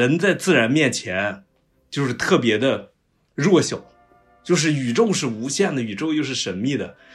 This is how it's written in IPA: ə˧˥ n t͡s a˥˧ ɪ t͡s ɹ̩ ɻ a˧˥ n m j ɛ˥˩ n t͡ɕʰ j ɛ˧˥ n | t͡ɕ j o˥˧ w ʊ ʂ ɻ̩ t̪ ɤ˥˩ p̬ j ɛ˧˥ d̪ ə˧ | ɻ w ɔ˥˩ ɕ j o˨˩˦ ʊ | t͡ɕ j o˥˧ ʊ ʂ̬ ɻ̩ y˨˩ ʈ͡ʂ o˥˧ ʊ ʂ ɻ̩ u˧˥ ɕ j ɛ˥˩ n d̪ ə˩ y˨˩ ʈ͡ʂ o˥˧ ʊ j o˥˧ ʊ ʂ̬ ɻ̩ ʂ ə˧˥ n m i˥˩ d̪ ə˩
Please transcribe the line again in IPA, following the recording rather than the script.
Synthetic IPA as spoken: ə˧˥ n t͡s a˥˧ ɪ t͡s ɹ̩ ɻ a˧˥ n m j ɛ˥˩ n t͡ɕʰ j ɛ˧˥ n | t͡ɕ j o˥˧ ʊ ʂ ɻ̩ t̪ʰ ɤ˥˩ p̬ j ɛ˧˥ d̪ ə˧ | ɻ w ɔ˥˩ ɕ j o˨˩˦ ʊ | t͡ɕ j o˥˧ ʊ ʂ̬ ɻ̩ y˨˩ ʈ͡ʂ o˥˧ ʊ ʂ ɻ̩ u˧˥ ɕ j ɛ˥˩ n d̪ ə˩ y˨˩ ʈ͡ʂ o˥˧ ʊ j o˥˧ ʊ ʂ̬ ɻ̩ ʂ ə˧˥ n m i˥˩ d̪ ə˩